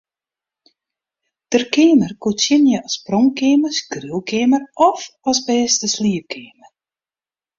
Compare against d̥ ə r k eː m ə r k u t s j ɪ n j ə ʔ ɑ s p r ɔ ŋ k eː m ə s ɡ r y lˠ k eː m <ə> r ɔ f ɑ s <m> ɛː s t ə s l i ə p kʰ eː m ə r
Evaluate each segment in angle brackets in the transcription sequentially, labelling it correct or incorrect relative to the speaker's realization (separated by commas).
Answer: correct, incorrect